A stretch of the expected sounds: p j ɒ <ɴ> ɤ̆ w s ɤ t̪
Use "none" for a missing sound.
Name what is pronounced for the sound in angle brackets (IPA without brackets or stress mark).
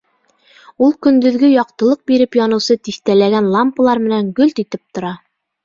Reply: n